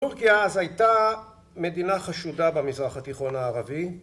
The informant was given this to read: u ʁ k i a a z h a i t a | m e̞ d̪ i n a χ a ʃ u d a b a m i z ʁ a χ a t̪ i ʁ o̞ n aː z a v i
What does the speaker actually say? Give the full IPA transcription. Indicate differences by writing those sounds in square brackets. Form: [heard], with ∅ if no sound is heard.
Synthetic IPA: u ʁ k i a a z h a [j] t a | m e̞ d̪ i n a χ a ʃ u d a b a m i z ʁ a χ a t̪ i [χ] o̞ n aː [ʁ] a v i